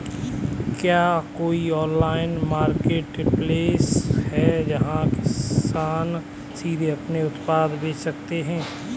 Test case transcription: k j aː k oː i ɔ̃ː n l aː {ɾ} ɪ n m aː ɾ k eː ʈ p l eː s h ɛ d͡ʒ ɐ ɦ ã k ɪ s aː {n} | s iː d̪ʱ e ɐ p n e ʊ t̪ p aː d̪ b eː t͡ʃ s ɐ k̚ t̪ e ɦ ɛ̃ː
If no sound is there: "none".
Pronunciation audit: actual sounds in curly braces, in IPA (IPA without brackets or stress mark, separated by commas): none, n